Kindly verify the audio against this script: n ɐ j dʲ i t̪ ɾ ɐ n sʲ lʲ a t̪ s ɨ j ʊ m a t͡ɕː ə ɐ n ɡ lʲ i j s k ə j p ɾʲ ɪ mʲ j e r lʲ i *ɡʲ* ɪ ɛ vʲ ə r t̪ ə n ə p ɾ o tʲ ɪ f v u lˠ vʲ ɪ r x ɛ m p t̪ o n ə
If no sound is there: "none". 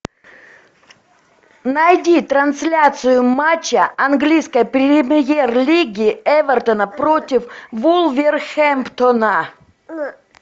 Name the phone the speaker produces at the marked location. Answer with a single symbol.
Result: ɡʲ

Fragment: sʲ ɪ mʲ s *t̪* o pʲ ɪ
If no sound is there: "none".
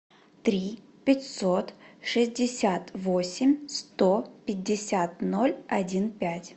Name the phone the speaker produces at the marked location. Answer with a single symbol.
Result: t̪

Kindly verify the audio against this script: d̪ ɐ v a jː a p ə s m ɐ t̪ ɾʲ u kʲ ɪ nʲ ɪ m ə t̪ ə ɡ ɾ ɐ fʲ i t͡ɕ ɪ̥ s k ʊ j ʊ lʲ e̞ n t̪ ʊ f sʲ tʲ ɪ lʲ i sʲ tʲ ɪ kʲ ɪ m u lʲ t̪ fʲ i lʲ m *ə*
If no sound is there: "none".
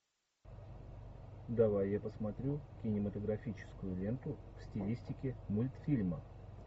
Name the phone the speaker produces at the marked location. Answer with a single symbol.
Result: ə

